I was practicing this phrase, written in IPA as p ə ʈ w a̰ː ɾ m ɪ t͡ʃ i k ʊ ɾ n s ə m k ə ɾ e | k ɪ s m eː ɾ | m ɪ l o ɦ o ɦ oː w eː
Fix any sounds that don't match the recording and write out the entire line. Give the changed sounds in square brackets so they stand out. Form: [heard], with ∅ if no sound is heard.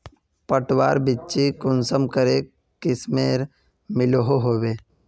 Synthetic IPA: p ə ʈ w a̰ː ɾ [b] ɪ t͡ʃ i k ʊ [∅] n s ə m k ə ɾ e | k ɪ s m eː ɾ | m ɪ l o ɦ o ɦ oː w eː

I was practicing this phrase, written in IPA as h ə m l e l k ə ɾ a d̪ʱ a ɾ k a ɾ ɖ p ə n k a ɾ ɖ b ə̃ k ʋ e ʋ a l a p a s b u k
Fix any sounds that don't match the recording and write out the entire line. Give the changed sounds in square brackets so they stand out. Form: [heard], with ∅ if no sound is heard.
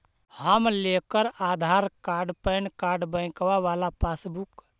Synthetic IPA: h ə m l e [∅] k ə ɾ a d̪ʱ a ɾ k a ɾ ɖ p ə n k a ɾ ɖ b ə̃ k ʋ [a] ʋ a l a p a s b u k

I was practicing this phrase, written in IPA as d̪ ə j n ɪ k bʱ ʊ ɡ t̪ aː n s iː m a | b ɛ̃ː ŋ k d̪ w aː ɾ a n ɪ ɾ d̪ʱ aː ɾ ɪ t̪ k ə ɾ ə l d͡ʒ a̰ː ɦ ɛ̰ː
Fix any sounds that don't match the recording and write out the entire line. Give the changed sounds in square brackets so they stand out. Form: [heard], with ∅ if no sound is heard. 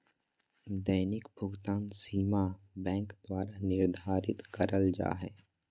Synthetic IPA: d̪ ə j n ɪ k bʱ ʊ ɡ t̪ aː n s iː m a | b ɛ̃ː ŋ k d̪ w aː ɾ a n ɪ ɾ d̪ʱ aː ɾ ɪ t̪ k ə ɾ ə l d͡ʒ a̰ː ɦ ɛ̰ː

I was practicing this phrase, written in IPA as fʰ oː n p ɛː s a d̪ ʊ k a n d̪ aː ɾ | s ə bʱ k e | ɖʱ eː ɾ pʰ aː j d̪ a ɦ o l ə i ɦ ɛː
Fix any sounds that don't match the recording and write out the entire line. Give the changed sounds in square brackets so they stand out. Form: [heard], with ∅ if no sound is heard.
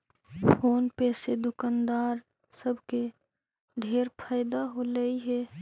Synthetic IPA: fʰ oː n p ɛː s [e] d̪ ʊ k a n d̪ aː ɾ | s ə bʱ k e | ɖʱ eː ɾ pʰ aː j d̪ a ɦ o l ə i ɦ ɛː

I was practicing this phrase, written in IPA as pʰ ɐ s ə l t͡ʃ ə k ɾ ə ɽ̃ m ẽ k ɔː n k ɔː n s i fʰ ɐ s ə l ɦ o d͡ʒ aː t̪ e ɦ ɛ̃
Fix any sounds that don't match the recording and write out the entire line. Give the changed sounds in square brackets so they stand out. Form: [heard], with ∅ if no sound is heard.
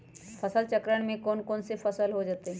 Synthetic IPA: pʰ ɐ s ə l t͡ʃ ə k ɾ ə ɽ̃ m ẽ k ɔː n k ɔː n s [e] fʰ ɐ s ə l ɦ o d͡ʒ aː t̪ e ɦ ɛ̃

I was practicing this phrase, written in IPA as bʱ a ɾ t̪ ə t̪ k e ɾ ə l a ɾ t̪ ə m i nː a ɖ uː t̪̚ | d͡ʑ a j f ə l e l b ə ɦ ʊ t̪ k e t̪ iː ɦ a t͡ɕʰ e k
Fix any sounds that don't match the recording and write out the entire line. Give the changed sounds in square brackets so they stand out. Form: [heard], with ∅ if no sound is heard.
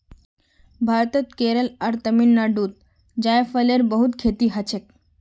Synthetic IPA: bʱ a ɾ t̪ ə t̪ k e ɾ ə l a ɾ t̪ ə m i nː a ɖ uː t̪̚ | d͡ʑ a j f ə l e [ɾ] b ə ɦ [u] t̪ [kʰ] e t̪ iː ɦ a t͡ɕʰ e k

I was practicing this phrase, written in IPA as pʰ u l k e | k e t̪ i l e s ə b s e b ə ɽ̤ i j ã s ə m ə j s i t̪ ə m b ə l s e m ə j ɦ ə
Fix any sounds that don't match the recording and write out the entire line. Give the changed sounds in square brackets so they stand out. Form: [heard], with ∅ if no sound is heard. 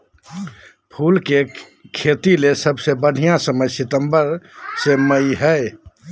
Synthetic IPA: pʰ u l k e | [kʰ] e t̪ i l e s ə b s e b ə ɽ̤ i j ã s ə m ə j s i t̪ ə m b ə [ɾ] s e m ə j ɦ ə

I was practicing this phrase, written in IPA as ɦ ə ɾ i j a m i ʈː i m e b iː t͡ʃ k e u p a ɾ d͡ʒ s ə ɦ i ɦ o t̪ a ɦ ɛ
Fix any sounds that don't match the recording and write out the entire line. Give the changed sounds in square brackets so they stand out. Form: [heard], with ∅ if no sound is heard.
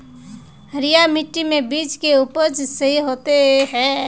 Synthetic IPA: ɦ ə ɾ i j a m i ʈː i m e b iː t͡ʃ k e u p [ə] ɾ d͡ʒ s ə ɦ i ɦ o t̪ [e] ɦ ɛ

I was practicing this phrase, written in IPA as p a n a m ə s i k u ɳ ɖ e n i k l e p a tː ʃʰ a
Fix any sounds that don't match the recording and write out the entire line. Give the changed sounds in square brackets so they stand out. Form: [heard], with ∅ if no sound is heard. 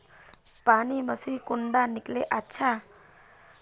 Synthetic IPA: p a n [i] m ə s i k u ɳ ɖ [a] n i k l e [ʔ] a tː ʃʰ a

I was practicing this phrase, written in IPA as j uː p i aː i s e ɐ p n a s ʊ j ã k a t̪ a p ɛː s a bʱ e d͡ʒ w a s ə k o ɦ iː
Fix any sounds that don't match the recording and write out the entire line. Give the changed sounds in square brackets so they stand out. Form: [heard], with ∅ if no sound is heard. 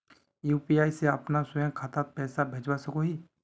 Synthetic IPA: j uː p i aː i s e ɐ p n a s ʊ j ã [kʰ] a t̪ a p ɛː s a bʱ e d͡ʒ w a s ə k o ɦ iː

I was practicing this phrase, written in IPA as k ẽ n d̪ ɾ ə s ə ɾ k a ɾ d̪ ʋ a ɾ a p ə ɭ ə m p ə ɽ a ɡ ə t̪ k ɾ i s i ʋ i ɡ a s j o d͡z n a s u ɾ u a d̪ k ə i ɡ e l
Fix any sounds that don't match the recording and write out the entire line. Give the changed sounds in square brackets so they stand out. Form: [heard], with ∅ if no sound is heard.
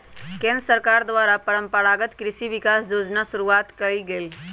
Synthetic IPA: k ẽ n d̪ ɾ ə s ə ɾ k a ɾ d̪ ʋ a ɾ a p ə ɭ ə m p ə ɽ a ɡ ə t̪ k ɾ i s i ʋ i [k] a s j o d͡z n a s u ɾ u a [t̪] k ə i ɡ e l

